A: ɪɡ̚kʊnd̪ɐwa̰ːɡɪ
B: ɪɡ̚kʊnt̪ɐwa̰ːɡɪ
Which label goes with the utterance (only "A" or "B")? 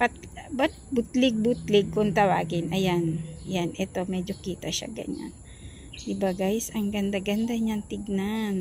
B